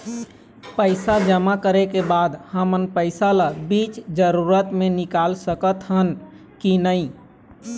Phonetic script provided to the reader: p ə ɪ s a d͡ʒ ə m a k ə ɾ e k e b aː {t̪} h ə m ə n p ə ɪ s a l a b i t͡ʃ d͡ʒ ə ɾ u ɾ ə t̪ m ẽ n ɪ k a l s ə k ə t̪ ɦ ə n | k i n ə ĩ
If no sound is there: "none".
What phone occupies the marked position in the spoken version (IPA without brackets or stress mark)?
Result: d̪